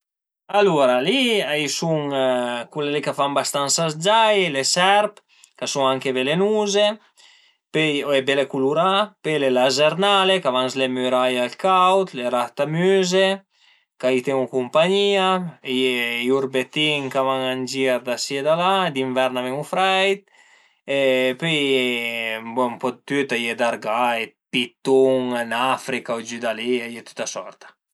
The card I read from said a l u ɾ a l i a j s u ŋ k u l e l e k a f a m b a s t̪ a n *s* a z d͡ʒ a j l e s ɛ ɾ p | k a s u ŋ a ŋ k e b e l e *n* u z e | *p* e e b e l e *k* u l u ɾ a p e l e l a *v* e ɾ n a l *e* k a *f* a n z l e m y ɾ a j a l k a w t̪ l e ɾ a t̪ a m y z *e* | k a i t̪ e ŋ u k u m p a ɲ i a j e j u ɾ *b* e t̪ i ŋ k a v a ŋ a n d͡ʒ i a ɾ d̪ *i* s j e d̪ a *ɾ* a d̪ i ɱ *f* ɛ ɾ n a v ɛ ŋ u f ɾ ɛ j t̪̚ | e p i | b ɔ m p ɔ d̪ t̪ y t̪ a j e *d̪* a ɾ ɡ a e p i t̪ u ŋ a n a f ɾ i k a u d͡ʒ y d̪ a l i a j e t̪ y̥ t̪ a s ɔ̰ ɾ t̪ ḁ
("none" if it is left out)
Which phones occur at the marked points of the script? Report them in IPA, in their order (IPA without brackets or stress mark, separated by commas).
s, n, p, k, z, e, v, e, b, a, l, v, d̪